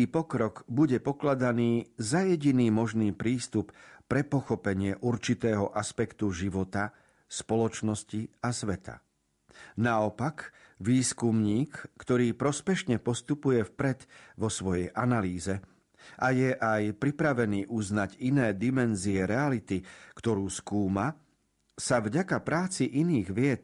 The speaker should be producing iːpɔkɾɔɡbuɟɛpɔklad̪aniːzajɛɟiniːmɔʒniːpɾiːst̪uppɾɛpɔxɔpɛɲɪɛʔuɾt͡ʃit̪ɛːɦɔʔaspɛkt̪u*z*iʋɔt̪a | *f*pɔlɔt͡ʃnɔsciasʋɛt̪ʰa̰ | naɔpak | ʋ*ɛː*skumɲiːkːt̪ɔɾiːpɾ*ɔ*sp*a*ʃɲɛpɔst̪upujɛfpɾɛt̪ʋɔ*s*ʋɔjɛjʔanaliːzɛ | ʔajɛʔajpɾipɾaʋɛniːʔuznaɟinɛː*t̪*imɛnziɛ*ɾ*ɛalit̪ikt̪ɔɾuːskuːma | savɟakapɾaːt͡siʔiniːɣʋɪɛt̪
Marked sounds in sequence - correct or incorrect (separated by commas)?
incorrect, incorrect, incorrect, correct, incorrect, correct, incorrect, correct